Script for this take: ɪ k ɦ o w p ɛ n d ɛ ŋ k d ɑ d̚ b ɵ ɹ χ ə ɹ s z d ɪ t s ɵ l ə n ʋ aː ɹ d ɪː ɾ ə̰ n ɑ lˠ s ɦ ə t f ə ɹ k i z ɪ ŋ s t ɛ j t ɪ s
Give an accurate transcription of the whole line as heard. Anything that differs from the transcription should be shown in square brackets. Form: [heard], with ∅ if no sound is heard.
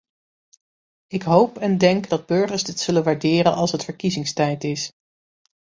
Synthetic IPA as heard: ɪ k ɦ o w p ɛ n d ɛ ŋ k d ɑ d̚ b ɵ ɹ χ ə ɹ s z d ɪ t s ɵ l ə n ʋ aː ɹ d ɪː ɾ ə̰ n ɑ lˠ s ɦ ə t f ə ɹ k i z ɪ ŋ s t ɛ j t ɪ s